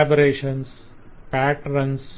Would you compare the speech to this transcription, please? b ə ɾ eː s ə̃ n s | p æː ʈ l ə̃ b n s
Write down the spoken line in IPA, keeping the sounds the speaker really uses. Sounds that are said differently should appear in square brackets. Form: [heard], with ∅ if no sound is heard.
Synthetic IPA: b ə ɾ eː [ʃ] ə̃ n s | p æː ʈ [ɾ] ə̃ [∅] n s